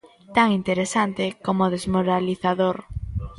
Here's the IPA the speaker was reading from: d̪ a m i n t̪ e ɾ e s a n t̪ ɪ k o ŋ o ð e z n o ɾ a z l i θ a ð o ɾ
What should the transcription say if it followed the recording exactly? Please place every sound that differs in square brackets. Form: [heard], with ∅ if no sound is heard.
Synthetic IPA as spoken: [t̪] a [ŋ] i n t̪ e ɾ e s a n t̪ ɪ k o [m] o ð e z [m] o ɾ a [∅] l i θ a ð o ɾ